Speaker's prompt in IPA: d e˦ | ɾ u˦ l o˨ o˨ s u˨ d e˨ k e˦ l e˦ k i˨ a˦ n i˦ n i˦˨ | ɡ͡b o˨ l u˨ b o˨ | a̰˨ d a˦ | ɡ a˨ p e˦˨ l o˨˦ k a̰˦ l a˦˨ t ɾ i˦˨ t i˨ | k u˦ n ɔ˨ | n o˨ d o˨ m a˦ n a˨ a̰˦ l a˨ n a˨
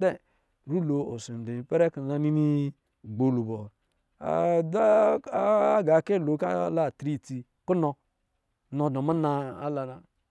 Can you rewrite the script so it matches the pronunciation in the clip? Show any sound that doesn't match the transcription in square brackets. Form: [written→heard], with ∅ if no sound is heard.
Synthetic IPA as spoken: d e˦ | ɾ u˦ l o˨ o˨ s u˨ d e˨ [k→p] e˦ [l→ɾ] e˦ k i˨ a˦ n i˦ n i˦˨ | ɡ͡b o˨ l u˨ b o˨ | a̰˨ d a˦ | ɡ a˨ [p→k] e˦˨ l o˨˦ k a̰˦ l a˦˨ t ɾ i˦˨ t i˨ | k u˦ n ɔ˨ | n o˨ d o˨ m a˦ n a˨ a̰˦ l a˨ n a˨